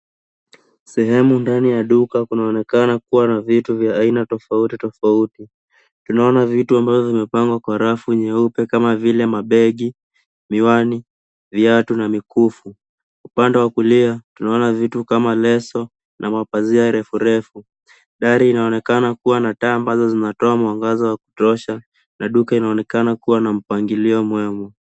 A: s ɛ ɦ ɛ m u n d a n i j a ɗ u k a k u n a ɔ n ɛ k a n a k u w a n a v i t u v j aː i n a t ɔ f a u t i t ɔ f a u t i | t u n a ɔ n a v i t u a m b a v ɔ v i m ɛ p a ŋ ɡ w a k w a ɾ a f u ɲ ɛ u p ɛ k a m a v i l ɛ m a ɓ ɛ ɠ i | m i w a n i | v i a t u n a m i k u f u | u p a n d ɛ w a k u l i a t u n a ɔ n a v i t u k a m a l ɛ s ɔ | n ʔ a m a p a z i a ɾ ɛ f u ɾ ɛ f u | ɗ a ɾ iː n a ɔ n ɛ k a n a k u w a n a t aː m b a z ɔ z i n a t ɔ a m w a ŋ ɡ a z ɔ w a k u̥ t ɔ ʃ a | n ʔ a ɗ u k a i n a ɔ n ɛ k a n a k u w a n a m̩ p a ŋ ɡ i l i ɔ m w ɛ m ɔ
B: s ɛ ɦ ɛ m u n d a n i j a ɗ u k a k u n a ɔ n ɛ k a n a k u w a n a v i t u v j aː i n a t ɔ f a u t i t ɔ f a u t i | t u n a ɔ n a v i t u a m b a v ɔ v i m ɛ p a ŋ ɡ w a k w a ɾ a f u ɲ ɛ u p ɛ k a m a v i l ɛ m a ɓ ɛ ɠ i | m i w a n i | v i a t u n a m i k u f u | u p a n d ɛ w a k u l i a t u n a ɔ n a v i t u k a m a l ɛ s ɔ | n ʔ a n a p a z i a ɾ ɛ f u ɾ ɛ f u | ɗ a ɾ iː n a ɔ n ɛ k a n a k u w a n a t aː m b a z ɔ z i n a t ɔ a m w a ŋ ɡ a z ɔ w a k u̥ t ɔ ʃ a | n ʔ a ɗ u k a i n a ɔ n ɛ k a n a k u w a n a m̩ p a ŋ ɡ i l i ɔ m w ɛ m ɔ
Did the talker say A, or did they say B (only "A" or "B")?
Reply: A